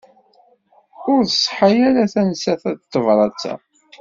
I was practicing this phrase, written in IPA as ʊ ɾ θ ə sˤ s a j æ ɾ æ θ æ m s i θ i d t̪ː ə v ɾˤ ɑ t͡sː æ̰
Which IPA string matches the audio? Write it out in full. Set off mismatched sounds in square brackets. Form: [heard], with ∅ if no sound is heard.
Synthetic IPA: ʊ ɾ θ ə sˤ [ħ] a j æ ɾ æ θ æ [n] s [æ] θ [æ] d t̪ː ə v ɾˤ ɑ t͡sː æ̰